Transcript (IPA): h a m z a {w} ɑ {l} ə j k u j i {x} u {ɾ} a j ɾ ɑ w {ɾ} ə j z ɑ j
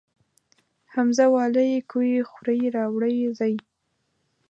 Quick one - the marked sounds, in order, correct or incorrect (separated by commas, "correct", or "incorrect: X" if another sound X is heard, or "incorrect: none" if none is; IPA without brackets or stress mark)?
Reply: correct, correct, correct, correct, incorrect: ɽ